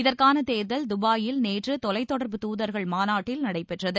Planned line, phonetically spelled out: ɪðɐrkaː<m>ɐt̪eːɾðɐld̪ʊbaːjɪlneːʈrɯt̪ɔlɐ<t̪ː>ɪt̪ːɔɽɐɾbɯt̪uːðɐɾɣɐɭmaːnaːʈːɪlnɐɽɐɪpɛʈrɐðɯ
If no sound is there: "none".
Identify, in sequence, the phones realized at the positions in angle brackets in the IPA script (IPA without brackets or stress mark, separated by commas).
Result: n, none